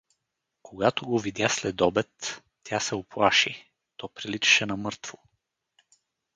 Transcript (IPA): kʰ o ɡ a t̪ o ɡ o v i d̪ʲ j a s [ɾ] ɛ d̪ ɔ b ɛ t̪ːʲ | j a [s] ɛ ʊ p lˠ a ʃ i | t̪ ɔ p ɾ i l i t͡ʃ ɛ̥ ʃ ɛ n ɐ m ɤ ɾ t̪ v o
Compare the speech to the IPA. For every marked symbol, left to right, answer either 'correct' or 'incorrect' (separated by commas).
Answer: incorrect, correct